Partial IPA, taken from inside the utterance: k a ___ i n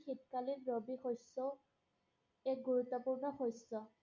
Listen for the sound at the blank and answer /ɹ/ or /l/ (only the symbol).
l